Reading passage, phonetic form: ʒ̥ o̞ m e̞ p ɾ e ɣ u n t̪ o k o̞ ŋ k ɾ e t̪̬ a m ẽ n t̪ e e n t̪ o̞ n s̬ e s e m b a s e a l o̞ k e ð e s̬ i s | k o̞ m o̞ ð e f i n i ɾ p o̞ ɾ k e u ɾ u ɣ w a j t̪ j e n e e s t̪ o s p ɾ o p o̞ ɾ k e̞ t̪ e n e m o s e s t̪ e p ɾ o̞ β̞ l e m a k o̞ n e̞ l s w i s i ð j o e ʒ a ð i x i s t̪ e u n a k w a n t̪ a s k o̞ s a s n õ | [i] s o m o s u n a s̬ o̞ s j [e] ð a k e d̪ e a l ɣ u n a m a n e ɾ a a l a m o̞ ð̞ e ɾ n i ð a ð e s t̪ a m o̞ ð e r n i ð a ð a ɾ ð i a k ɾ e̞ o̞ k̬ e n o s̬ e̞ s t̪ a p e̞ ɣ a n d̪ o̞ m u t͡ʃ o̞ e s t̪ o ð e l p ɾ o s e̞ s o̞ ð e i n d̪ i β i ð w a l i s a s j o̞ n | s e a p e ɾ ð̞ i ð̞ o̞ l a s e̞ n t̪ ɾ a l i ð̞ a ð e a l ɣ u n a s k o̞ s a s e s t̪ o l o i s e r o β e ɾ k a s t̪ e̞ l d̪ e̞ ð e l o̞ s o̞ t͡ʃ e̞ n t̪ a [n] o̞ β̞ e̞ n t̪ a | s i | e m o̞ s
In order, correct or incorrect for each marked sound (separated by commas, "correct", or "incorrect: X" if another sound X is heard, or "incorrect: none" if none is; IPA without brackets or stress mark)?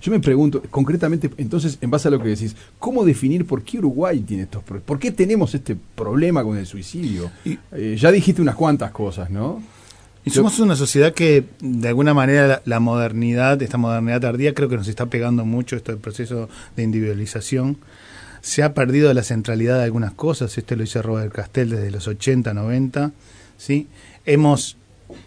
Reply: correct, correct, correct